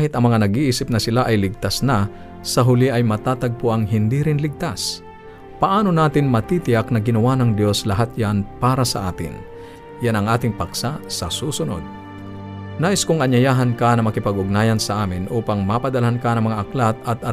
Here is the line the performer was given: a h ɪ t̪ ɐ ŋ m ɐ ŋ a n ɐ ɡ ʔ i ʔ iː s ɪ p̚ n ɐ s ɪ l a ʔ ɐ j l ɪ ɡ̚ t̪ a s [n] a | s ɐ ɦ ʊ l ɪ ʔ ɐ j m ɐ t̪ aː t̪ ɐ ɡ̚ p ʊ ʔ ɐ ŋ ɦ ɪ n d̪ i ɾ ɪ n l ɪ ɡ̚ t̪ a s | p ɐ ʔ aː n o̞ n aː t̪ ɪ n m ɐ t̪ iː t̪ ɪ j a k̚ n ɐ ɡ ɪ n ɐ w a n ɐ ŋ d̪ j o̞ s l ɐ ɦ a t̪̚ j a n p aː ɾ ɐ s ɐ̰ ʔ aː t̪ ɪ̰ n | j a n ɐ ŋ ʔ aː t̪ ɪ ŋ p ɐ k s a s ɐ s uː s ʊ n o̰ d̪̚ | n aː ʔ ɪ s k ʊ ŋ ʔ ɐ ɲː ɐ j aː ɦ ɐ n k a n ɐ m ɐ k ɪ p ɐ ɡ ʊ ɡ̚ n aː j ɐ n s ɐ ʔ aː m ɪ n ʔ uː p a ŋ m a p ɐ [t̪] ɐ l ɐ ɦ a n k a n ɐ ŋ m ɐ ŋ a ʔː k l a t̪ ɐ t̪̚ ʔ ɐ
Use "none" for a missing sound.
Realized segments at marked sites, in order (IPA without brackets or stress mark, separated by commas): n, d̪